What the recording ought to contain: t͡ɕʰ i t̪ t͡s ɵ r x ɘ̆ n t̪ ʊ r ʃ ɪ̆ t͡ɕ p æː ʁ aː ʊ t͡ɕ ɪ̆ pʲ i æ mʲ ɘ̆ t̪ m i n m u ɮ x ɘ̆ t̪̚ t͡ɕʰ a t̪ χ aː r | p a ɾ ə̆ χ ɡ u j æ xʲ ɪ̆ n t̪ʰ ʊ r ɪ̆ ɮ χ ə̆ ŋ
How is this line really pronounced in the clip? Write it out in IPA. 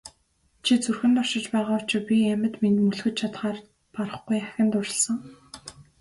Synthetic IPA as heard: t͡ɕʰ i t͡s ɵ r x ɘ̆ n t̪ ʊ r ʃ ɪ̆ t͡ɕ p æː ʁ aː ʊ t͡ɕ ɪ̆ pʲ i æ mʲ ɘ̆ t̪ m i n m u ɮ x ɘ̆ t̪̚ t͡ɕʰ a t̪ χ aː r | p a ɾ ə̆ χ ɡ u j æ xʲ ɪ̆ n t̪ ʊ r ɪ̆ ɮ s ə̆ ŋ